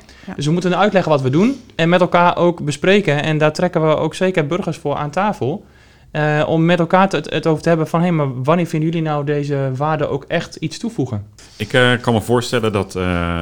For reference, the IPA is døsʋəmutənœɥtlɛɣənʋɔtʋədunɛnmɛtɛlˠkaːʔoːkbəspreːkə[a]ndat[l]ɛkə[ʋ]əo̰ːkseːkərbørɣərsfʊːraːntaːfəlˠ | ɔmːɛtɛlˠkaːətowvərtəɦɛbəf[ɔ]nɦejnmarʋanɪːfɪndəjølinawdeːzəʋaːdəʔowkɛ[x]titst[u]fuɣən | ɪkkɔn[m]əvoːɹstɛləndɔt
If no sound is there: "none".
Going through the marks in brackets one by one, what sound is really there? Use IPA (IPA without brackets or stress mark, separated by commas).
ɛ, r, ʋ, ɔ, x, u, m